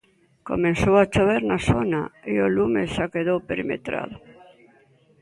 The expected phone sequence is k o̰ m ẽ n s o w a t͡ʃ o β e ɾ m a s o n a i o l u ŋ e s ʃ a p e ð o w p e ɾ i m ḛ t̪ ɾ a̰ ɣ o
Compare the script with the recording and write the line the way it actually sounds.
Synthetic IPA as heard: k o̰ m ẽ n s o w a t͡ʃ o β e ɾ n a s o n a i o l u m e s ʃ a k e ð o w p e ɾ i m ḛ t̪ ɾ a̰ ð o